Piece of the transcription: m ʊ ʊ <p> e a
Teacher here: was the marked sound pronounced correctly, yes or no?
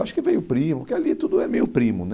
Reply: no